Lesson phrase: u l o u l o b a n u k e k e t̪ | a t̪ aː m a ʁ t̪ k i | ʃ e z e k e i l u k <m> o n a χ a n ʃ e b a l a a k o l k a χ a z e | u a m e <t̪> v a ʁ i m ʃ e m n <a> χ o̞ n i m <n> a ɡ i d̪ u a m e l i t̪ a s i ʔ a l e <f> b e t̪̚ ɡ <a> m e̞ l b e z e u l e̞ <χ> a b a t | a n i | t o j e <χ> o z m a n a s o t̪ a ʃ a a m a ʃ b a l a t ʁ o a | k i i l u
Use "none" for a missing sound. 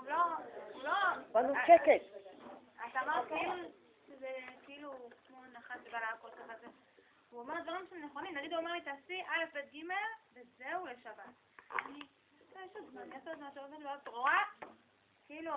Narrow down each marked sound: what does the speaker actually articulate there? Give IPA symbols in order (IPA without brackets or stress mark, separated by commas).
m, d̪, e, n, f, i, ʃ, ʃ